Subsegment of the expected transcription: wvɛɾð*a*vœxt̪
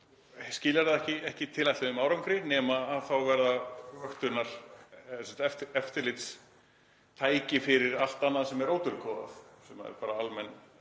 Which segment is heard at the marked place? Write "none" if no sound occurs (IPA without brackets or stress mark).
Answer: a